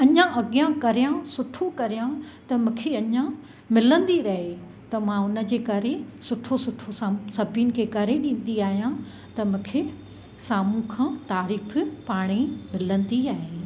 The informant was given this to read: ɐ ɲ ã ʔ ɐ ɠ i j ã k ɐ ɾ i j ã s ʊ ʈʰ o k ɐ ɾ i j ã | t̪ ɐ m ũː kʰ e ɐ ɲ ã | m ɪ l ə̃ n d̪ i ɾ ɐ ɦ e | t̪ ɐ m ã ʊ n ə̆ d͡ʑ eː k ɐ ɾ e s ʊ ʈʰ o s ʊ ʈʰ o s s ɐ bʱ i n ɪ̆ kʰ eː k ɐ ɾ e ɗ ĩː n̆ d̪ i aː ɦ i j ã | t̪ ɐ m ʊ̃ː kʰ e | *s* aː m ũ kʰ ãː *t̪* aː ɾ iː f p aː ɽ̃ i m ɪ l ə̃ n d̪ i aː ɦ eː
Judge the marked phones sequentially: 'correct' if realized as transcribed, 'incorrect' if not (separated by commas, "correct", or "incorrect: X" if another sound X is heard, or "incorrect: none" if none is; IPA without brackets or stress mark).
correct, correct